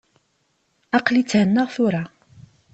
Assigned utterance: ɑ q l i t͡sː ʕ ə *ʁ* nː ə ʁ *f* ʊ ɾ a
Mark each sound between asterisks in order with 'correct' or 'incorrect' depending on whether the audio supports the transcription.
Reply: incorrect: none, incorrect: θ

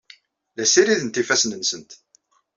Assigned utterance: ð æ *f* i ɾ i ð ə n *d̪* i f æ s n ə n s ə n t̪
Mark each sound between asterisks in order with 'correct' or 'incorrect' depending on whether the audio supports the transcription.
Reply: incorrect: s, incorrect: t̪

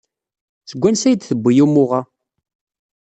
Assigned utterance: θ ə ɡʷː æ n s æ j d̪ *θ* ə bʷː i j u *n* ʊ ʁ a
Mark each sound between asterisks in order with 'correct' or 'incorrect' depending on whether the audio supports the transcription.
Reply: correct, incorrect: m

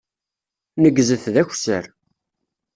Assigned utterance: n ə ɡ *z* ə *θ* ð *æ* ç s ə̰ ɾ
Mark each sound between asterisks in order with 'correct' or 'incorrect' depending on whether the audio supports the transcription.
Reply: correct, correct, correct

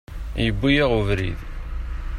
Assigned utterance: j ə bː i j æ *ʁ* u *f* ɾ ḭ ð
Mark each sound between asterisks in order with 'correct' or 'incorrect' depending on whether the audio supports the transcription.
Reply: correct, incorrect: v

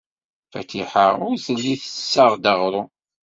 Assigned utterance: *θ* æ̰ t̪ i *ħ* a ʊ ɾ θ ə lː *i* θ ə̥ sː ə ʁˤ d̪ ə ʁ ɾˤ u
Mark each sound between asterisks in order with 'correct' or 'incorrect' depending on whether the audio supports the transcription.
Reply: incorrect: f, correct, correct

